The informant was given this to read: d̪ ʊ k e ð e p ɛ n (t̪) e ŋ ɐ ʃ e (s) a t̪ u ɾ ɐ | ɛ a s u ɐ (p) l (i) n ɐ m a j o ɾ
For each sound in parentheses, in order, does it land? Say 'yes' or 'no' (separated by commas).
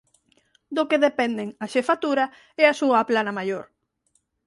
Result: no, no, yes, no